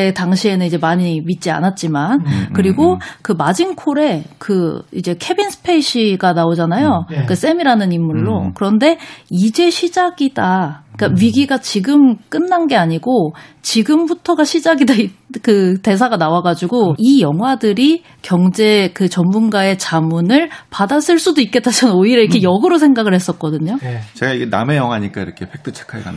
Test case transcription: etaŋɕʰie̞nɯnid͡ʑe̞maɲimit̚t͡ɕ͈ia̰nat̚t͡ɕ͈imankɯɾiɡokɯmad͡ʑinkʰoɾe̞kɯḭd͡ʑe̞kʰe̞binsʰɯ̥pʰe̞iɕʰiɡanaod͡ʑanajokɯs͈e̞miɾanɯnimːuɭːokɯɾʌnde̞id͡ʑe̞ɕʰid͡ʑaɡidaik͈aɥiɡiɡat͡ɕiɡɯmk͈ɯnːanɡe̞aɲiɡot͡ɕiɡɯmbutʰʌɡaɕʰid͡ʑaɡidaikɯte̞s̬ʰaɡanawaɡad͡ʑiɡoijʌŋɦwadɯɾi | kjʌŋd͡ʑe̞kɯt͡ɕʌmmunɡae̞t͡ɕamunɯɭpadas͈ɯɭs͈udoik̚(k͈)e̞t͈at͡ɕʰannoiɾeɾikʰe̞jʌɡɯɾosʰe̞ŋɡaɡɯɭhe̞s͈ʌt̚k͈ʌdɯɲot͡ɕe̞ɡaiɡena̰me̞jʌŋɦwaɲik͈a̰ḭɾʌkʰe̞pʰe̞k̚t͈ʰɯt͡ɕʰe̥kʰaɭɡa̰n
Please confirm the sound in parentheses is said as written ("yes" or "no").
yes